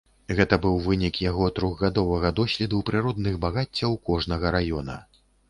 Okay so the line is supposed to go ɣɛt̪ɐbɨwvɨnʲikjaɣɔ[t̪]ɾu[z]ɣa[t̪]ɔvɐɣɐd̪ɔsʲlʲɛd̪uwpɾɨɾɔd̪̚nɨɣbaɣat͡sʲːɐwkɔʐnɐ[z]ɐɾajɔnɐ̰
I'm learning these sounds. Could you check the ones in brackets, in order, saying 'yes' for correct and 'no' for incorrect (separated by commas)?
yes, no, no, no